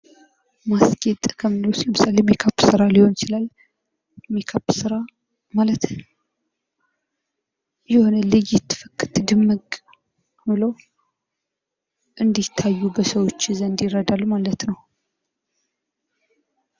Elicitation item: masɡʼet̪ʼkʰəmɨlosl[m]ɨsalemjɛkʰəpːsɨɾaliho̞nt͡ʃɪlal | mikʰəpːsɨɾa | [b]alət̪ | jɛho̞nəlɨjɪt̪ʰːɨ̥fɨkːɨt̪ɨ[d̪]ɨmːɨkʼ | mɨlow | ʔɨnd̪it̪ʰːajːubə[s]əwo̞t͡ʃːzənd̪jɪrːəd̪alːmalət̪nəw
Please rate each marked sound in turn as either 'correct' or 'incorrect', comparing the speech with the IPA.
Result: correct, incorrect: m, correct, correct

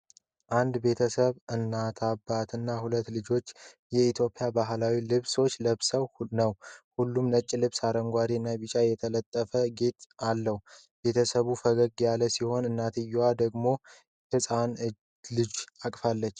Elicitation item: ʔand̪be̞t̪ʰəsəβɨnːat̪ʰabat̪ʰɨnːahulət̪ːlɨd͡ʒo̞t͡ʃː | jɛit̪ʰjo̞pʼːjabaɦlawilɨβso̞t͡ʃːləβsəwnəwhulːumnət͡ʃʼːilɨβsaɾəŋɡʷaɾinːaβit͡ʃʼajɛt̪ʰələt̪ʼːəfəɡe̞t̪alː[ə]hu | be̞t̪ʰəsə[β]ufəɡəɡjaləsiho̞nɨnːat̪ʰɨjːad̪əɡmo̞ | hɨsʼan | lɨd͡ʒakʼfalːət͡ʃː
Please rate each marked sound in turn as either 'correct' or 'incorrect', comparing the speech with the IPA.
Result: correct, correct

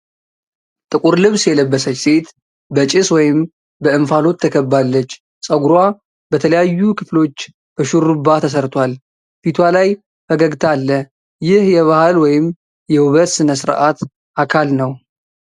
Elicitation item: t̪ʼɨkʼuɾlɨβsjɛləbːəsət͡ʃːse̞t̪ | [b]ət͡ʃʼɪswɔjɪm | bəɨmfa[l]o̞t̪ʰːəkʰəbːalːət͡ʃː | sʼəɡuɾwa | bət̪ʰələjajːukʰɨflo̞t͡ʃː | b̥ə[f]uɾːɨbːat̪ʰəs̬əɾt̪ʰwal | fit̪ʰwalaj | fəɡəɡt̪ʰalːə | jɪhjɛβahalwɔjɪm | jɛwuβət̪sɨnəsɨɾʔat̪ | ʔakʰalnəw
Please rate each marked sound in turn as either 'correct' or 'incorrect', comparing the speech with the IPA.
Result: correct, correct, incorrect: ʃ

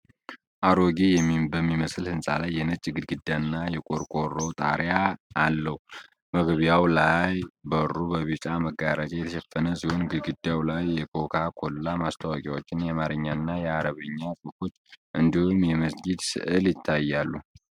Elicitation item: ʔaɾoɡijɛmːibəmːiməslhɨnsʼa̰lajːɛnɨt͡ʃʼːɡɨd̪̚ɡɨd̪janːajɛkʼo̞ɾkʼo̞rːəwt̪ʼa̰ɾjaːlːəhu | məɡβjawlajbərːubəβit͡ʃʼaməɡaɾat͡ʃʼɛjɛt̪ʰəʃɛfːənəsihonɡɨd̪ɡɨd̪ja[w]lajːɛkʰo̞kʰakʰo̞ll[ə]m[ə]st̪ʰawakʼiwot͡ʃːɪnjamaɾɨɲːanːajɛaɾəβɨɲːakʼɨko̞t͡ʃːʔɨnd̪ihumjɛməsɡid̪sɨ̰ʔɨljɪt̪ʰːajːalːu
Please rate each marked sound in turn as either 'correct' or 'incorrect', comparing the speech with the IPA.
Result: correct, incorrect: a, incorrect: a

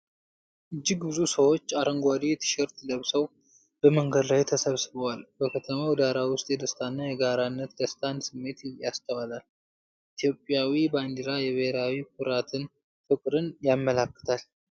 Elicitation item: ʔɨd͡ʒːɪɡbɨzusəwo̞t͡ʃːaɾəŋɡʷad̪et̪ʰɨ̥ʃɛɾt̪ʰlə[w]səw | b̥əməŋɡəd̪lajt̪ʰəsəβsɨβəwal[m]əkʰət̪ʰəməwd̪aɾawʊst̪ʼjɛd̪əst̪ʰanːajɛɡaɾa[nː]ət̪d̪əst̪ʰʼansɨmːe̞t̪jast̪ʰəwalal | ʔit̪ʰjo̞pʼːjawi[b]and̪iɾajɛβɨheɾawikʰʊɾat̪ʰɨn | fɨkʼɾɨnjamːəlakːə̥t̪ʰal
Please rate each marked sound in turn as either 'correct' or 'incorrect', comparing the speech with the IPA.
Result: incorrect: β, incorrect: b, correct, correct

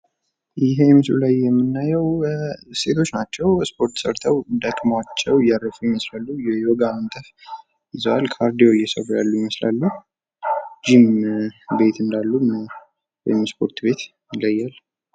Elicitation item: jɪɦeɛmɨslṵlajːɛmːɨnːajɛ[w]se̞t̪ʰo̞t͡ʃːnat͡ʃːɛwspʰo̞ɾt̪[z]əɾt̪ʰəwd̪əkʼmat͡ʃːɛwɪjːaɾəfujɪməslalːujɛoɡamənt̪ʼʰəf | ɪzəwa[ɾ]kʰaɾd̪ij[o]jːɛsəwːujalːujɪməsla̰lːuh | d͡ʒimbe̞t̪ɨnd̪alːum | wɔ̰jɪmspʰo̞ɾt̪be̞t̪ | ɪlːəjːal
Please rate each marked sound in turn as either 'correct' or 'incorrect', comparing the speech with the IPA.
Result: correct, incorrect: s, incorrect: l, correct

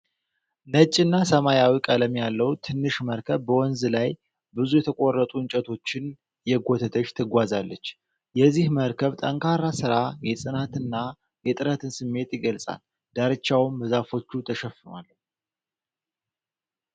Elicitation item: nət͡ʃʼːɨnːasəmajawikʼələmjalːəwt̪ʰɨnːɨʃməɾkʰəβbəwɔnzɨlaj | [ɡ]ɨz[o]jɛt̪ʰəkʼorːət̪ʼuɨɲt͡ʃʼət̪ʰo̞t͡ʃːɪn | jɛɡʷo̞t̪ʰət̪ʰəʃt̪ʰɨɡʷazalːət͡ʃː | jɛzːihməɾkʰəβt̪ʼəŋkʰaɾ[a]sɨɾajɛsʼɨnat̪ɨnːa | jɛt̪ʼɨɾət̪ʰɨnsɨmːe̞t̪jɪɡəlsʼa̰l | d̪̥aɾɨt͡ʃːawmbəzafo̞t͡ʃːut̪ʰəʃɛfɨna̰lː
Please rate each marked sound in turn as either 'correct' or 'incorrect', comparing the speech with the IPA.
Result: incorrect: b, incorrect: u, correct

